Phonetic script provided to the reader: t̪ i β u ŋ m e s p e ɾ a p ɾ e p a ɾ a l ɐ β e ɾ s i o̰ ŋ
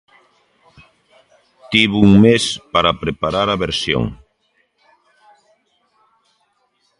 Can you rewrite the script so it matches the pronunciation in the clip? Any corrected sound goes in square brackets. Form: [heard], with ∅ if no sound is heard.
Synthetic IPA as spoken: t̪ i β u ŋ m e s p [a] ɾ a p ɾ e p a ɾ a [ɾ] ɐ β e ɾ s [j] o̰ ŋ